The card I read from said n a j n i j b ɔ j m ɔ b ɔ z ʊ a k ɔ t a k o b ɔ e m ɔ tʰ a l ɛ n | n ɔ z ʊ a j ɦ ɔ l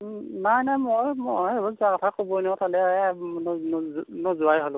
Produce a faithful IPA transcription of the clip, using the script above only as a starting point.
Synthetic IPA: n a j n a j m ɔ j m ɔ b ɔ z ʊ a k ɔ tʰ a k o b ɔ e n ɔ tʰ a l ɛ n | n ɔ z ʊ a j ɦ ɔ l